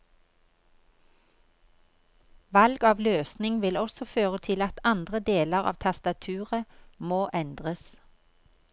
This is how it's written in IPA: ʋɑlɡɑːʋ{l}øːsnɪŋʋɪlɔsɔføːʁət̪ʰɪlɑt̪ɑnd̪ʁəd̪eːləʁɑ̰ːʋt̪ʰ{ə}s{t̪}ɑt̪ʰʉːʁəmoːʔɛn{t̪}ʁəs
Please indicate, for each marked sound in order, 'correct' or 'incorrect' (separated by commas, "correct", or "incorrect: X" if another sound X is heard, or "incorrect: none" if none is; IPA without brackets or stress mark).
correct, incorrect: ɑ, correct, incorrect: d̪